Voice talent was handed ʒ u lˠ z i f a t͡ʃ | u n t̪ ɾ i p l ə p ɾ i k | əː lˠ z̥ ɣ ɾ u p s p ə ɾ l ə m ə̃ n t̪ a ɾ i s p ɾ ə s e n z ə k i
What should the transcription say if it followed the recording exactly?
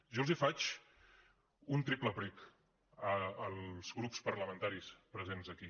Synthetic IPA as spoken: ʒ ɔ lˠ z i f a t͡ʃ | u n t̪ ɾ i p l ə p ɾ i k | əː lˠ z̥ ɣ ɾ u p s p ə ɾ l ə m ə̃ n t̪ a ɾ i s p ɾ ə z e n z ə k i